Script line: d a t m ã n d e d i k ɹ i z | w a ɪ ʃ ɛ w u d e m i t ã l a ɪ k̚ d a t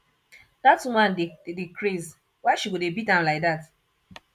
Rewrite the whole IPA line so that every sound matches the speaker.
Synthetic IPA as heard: d a t m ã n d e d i k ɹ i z | w a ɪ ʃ i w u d e b i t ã l a ɪ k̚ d a t